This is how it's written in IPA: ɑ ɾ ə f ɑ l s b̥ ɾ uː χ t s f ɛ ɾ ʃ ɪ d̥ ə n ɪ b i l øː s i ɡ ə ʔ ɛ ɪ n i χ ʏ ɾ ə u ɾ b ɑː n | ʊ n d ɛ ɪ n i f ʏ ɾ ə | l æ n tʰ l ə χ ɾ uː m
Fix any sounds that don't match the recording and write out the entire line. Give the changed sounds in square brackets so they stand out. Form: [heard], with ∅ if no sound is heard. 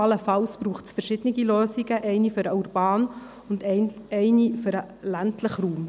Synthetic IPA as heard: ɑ [l] ə f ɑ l s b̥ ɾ uː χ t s f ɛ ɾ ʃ ɪ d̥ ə n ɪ [ɡ] i l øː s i ɡ ə ʔ ɛ ɪ n i [f] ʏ ɾ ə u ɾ b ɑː n | ʊ n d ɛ ɪ n i f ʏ ɾ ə | l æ n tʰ l ə χ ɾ uː m